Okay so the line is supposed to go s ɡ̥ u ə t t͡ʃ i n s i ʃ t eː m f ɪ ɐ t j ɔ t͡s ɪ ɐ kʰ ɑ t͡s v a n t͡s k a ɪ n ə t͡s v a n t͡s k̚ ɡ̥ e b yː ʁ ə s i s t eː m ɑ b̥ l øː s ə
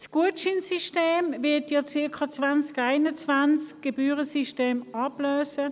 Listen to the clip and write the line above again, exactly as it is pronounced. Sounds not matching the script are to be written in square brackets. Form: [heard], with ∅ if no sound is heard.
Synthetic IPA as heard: s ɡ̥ u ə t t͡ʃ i n s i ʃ t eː m [v] ɪ ɐ t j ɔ t͡s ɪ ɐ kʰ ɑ t͡s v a n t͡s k a ɪ n ə t͡s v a n t͡s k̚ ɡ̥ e b yː ʁ ə s i [ʃ] t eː m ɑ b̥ l øː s ə